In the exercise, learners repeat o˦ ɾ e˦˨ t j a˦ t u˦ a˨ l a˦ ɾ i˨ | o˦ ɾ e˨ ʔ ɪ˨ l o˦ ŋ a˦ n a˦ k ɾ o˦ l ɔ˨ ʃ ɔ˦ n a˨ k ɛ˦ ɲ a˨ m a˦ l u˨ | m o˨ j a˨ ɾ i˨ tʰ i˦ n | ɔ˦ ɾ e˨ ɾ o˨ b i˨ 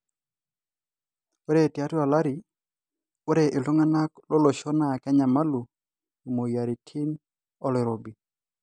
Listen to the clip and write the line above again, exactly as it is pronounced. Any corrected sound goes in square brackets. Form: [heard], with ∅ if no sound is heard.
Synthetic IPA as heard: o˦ ɾ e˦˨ t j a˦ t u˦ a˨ l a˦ ɾ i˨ | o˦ ɾ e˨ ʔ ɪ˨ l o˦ ŋ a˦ n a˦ k [l] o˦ l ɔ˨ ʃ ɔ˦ n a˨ k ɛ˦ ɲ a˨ m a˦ l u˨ | m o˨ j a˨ ɾ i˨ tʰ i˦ n | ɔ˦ [l] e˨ ɾ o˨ b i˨